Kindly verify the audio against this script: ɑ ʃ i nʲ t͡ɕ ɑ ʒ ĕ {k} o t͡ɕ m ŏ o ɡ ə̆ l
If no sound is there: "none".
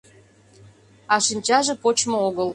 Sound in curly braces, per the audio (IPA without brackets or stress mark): p